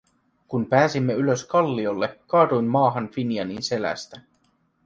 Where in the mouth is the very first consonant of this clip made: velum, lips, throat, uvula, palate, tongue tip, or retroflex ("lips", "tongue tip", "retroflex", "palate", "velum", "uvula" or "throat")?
velum